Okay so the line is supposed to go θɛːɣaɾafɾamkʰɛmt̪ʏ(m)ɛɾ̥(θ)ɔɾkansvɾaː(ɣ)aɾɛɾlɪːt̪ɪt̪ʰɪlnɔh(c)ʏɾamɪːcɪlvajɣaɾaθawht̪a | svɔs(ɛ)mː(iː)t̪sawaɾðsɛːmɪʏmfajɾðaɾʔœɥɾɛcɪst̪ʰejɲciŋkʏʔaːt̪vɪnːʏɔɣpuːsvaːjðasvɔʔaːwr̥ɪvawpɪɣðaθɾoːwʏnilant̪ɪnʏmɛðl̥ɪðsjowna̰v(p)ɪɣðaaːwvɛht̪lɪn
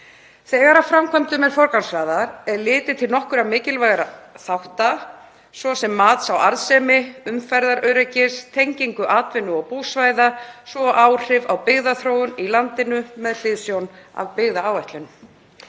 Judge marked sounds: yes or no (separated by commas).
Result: yes, no, no, no, yes, no, yes